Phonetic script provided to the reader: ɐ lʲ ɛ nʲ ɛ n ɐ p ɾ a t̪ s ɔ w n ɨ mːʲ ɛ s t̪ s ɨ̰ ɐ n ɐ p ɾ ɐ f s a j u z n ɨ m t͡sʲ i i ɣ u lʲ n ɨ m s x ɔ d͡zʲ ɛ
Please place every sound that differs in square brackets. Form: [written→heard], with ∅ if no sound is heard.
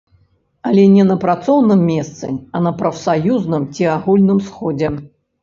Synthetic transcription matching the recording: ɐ lʲ ɛ nʲ ɛ n ɐ p ɾ a t̪ s ɔ w n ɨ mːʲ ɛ s t̪ s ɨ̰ ɐ n ɐ p ɾ ɐ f s a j u z n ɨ m t͡sʲ i [i→a] ɣ u lʲ n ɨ m s x ɔ d͡zʲ ɛ